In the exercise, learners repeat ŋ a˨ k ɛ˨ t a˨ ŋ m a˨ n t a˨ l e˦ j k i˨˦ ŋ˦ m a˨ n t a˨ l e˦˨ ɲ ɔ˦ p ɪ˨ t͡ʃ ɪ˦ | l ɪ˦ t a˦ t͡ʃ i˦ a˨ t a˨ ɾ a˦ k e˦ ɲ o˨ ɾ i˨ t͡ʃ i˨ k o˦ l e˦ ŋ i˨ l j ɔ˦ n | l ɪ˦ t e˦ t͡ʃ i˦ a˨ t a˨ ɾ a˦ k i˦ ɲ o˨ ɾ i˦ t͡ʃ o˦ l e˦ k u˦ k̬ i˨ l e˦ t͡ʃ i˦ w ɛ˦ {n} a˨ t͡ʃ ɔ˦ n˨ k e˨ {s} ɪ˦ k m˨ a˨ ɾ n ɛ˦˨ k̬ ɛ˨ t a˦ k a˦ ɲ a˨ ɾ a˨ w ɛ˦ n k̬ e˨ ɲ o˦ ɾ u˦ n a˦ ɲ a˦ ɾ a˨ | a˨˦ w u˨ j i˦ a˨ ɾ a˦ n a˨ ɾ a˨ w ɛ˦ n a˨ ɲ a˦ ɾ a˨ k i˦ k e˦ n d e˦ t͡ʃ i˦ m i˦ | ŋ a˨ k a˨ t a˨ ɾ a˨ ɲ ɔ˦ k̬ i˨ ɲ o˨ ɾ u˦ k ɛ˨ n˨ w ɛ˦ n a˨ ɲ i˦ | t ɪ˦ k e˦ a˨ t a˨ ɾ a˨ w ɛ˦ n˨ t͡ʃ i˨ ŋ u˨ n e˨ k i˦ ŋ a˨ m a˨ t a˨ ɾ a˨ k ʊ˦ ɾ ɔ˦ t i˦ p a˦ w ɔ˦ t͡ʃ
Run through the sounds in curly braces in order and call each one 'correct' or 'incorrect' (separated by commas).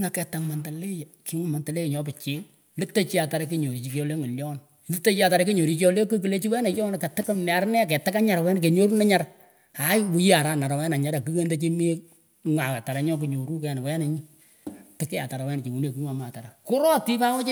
correct, incorrect